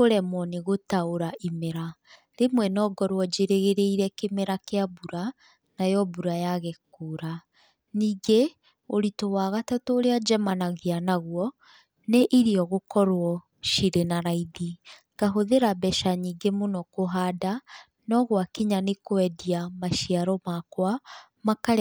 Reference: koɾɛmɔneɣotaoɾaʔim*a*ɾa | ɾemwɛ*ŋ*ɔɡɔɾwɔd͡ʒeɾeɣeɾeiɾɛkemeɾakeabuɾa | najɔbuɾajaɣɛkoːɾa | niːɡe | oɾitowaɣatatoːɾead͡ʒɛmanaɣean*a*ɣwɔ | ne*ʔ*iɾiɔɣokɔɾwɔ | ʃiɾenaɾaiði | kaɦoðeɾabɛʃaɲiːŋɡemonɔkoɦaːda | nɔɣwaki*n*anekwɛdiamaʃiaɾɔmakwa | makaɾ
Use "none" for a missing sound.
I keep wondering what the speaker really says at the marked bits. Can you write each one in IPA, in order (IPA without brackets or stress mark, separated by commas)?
e, n, a, ʔ, ɲ